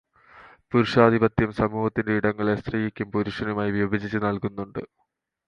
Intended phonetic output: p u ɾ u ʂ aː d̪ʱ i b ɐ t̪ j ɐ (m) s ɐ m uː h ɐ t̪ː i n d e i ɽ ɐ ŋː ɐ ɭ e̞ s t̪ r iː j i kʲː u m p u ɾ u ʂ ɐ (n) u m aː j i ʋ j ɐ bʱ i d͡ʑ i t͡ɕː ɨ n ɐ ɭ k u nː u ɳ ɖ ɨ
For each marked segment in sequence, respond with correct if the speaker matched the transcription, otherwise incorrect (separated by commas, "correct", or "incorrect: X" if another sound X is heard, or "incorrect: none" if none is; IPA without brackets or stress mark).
correct, correct